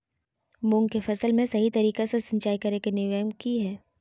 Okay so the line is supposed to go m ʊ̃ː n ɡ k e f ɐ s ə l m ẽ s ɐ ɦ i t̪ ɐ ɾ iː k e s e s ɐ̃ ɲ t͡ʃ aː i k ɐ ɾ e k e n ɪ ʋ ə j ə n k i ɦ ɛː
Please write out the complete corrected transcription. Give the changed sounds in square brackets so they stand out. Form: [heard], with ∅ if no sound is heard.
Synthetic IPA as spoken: m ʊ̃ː [ŋ] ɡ k e f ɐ s ə l m ẽ s ɐ ɦ i t̪ ɐ ɾ iː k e s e s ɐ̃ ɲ t͡ʃ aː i k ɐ ɾ e k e n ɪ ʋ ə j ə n k i ɦ ɛː

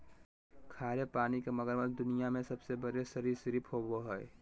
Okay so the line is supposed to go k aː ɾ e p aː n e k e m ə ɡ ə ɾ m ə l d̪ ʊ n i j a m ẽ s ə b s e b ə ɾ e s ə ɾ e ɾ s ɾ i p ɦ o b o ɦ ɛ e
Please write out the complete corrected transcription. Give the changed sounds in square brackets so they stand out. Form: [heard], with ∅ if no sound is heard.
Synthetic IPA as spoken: [kʰ] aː ɾ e p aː n [i] k e m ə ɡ ə ɾ m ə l d̪ ʊ n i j a m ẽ s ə b s e b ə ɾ e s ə ɾ [i] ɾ s ɾ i p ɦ o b o ɦ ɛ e

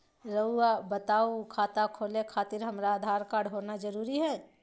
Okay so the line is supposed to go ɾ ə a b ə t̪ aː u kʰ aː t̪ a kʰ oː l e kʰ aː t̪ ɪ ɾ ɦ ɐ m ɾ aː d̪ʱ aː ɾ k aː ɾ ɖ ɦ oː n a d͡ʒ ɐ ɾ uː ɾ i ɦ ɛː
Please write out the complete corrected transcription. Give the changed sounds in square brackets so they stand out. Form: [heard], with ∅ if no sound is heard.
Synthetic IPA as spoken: ɾ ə a b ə t̪ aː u kʰ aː t̪ a kʰ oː l e kʰ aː t̪ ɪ ɾ ɦ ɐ m ɾ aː d̪ʱ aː ɾ k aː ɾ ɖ ɦ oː n a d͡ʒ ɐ ɾ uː ɾ i ɦ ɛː

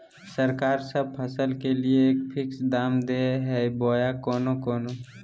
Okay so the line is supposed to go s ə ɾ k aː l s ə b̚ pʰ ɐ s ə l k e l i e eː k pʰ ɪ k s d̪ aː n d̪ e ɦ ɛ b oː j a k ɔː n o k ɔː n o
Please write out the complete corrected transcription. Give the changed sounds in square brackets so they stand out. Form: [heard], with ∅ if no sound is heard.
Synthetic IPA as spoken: s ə ɾ k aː [ɾ] s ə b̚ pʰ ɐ s ə l k e l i e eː k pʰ ɪ k s d̪ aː [m] d̪ e ɦ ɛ b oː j a k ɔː n o k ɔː n o

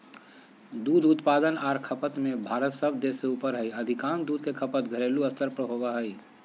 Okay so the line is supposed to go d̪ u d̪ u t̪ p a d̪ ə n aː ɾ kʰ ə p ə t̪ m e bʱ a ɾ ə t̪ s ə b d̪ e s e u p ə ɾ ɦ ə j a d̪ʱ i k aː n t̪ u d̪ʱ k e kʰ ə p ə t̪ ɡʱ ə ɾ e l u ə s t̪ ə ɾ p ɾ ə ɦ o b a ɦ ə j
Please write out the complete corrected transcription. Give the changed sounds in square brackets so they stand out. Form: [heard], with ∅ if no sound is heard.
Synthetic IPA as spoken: d̪ u d̪ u t̪ p a d̪ ə n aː ɾ kʰ ə p ə t̪ m e bʱ a ɾ ə t̪ s ə b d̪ e s e u p ə ɾ ɦ ə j [ə] d̪ʱ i k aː n [d̪] u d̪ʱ k e kʰ ə p ə t̪ ɡʱ ə ɾ e l u ə s t̪ ə ɾ p ɾ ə ɦ o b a ɦ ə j

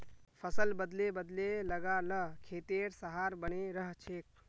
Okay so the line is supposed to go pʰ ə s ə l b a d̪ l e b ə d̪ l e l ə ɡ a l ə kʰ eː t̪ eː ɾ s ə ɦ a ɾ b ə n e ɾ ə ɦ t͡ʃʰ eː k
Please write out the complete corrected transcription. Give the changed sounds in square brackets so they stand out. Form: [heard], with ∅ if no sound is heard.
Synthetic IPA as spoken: pʰ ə s ə l b [ə] d̪ l e b ə d̪ l e l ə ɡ a l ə kʰ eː t̪ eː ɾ s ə ɦ a ɾ b ə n e ɾ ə ɦ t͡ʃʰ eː k

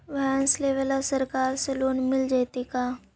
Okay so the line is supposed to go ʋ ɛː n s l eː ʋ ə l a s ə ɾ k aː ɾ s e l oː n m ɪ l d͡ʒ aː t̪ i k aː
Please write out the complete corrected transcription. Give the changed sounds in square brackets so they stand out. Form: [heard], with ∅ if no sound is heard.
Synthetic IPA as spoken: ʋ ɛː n s l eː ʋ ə l a s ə ɾ k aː ɾ s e l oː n m ɪ l d͡ʒ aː t̪ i k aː

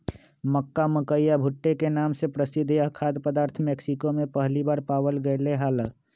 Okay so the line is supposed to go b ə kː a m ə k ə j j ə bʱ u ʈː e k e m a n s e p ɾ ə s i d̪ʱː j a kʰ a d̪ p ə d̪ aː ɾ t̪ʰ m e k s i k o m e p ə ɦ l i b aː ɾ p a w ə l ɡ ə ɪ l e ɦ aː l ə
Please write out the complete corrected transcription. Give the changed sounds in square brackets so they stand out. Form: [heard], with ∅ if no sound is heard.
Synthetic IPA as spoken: [m] ə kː a m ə k ə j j [a] bʱ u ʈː e k e [n] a [m] s e p ɾ ə s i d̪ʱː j a kʰ a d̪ p ə d̪ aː ɾ t̪ʰ m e k s i k o m e p ə ɦ l i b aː ɾ p a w ə l ɡ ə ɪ l e ɦ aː l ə

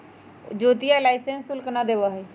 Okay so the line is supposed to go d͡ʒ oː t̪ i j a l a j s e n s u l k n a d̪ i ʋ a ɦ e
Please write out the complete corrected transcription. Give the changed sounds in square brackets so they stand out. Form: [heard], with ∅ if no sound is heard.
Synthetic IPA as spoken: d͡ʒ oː t̪ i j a l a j s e n s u l k n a d̪ [e] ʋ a ɦ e

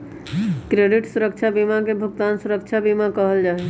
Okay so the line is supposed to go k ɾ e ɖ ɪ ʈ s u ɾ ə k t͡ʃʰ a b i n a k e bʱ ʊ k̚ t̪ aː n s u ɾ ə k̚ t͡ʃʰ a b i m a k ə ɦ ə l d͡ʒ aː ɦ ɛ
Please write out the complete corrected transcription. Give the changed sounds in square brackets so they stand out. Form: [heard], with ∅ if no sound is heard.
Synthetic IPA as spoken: k ɾ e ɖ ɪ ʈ s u ɾ ə k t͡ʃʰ a b i [m] a k e bʱ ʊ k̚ t̪ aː n s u ɾ ə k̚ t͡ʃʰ a b i m a k ə ɦ ə l d͡ʒ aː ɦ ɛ

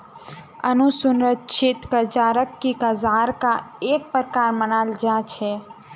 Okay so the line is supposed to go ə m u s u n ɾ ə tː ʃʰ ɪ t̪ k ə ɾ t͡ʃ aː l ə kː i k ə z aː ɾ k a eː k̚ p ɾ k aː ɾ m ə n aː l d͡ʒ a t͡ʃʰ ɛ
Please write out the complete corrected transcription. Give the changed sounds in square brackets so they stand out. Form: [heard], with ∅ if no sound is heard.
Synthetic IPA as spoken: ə [n] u s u n ɾ ə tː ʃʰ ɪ t̪ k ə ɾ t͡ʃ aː [ɾ] ə kː i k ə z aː ɾ k a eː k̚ p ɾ k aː ɾ m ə n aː l d͡ʒ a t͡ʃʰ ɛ

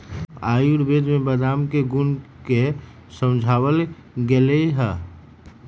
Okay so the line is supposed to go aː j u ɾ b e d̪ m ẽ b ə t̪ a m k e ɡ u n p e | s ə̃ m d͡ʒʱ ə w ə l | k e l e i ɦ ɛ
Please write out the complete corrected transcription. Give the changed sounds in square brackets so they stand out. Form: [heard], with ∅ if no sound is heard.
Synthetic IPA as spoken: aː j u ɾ b e d̪ m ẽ b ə [d̪] a m k e ɡ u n [k] e | s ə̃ m d͡ʒʱ [a] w ə l | [ɡ] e l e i ɦ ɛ

